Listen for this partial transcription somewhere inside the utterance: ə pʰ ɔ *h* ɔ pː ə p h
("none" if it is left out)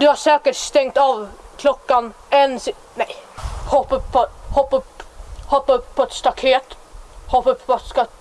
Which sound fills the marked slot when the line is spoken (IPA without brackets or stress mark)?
h